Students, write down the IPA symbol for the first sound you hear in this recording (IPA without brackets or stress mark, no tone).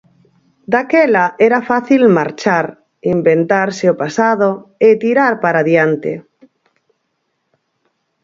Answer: d̪